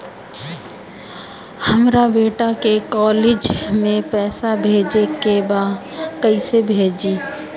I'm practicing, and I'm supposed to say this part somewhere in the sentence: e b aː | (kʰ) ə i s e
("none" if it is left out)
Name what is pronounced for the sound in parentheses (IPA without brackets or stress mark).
k